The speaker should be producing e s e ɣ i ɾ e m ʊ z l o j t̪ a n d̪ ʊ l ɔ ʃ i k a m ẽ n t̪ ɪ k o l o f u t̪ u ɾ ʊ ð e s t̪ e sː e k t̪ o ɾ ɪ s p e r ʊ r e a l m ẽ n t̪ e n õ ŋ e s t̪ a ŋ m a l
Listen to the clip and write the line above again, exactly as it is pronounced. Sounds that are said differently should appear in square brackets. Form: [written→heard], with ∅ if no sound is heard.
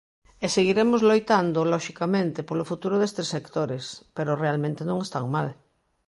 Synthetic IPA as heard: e s e ɣ i ɾ e m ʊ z l o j t̪ a n d̪ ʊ l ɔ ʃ i k a m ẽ n t̪ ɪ [k→p] o l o f u t̪ u ɾ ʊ ð e s t̪ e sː e k t̪ o ɾ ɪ s p e [r→ɾ] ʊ r e a l m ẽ n t̪ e n õ ŋ e s t̪ a ŋ m a l